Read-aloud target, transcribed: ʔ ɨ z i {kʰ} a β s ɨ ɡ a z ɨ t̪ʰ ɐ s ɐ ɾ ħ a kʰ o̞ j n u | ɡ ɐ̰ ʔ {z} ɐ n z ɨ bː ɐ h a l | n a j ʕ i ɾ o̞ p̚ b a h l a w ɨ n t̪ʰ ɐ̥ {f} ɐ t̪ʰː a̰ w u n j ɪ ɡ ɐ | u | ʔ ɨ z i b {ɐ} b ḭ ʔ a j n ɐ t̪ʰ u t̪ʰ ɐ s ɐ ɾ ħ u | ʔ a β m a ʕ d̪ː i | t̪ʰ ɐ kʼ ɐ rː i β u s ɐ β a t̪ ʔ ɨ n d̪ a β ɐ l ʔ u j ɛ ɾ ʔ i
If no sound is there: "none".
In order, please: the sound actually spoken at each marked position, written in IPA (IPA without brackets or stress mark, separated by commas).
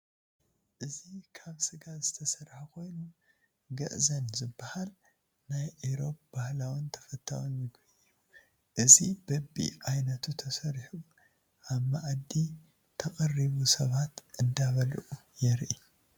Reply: kʰ, z, f, ɐ